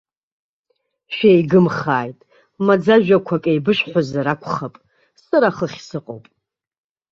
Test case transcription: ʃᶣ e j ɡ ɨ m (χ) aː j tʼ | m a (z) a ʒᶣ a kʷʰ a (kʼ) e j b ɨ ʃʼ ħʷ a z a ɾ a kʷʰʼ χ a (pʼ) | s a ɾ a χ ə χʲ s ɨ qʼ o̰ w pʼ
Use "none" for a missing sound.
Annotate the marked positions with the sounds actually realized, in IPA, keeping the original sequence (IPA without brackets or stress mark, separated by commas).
χ, d͡z, kʼ, pʼ